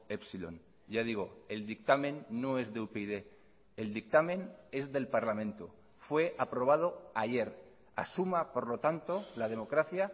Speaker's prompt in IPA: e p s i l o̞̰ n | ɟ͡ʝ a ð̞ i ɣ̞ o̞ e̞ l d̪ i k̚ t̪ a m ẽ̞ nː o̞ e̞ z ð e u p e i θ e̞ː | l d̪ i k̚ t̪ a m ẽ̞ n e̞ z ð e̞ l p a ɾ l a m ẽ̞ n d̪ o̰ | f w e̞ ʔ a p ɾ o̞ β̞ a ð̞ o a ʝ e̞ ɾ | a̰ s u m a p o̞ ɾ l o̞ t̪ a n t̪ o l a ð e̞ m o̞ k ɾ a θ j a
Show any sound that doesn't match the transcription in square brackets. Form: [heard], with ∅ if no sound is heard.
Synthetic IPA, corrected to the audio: e p s i l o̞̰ n | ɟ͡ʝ a ð̞ i ɣ̞ o̞ e̞ l d̪ i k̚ t̪ a m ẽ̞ nː o̞ e̞ z ð e u p e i [ð] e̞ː | l d̪ i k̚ t̪ a m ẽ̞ n e̞ z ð e̞ l p a ɾ l a m ẽ̞ n [t̪] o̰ | f w e̞ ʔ a p ɾ o̞ β̞ a ð̞ o a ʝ e̞ ɾ | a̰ s u m a p o̞ ɾ l o̞ t̪ a n t̪ o l a ð e̞ m o̞ k ɾ a θ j a

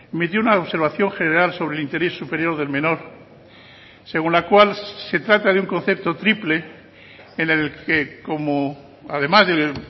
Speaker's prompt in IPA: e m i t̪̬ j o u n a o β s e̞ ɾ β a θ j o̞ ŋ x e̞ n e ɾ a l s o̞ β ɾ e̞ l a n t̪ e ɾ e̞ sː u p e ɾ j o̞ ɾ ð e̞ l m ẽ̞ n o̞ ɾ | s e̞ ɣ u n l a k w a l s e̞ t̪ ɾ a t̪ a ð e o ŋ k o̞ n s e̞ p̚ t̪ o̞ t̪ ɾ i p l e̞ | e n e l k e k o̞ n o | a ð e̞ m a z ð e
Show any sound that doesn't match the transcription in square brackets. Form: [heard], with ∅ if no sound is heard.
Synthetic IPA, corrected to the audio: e m i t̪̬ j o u n a o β s e̞ ɾ β a θ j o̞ ŋ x e̞ n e ɾ a l s o̞ β ɾ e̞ l [i] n t̪ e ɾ e̞ sː u p e ɾ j o̞ ɾ ð e̞ l m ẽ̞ n o̞ ɾ | s e̞ ɣ u n l a k w a l s e̞ t̪ ɾ a t̪ a ð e [u] ŋ k o̞ n [θ] e̞ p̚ t̪ o̞ t̪ ɾ i p l e̞ | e n e l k e k o̞ [m] o | a ð e̞ m a z ð e

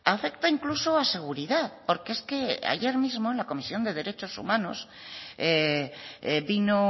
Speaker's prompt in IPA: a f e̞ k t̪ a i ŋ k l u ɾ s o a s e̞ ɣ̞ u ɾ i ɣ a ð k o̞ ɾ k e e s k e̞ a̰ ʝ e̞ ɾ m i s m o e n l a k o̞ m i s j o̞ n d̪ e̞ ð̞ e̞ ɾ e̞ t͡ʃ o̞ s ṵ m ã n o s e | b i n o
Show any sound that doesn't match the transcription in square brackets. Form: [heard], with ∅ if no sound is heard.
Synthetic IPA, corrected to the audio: a f e̞ k t̪ a i ŋ k l u [∅] s o a s e̞ ɣ̞ u ɾ i [ð] a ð [p] o̞ ɾ k e e s k e̞ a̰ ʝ e̞ ɾ m i [z] m o e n l a k o̞ m i s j o̞ n d̪ e̞ ð̞ e̞ ɾ e̞ t͡ʃ o̞ s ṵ m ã n o s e | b i n o

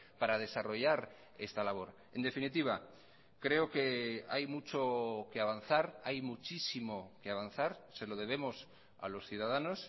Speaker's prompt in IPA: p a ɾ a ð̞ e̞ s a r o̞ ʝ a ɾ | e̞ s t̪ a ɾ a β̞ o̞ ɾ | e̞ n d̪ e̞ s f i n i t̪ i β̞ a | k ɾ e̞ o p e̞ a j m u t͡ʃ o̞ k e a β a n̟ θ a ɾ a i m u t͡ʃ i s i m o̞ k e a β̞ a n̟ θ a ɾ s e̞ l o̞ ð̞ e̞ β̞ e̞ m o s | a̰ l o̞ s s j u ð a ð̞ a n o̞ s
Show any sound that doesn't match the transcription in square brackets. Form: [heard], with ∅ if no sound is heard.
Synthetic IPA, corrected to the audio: p a ɾ a ð̞ e̞ s a r o̞ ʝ a ɾ | e̞ s t̪ a [l] a β̞ o̞ ɾ | e̞ n d̪ e̞ [∅] f i n i t̪ i β̞ a | k ɾ e̞ o [k] e̞ a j m u t͡ʃ o̞ k e a β a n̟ θ a ɾ a [j] m u t͡ʃ i s i m o̞ k e a β̞ a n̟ θ a ɾ s e̞ l o̞ ð̞ e̞ β̞ e̞ m o s | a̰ l o̞ s [θ] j u ð a ð̞ a n o̞ s

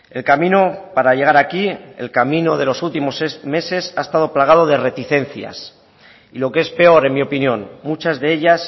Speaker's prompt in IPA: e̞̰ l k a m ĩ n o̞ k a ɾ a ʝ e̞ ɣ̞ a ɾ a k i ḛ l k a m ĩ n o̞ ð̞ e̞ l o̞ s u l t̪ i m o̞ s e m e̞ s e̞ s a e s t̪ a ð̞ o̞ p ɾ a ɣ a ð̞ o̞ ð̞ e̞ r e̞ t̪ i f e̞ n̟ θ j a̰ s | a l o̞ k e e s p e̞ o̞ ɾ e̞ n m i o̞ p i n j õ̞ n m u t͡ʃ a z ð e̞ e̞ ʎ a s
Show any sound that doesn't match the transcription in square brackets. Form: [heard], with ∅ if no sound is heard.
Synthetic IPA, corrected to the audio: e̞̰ l k a m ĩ n o̞ [p] a ɾ a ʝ e̞ ɣ̞ a ɾ a k i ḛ l k a m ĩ n o̞ ð̞ e̞ l o̞ s u l t̪ i m o̞ s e m e̞ s e̞ s a e s t̪ a ð̞ o̞ p [l] a ɣ a ð̞ o̞ ð̞ e̞ r e̞ t̪ i [θ] e̞ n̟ θ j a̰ s | [i] l o̞ k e e s p e̞ o̞ ɾ e̞ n m i o̞ p i n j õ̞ n m u t͡ʃ a z ð e̞ e̞ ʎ a s

